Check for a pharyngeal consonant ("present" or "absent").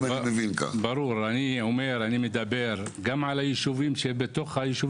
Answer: present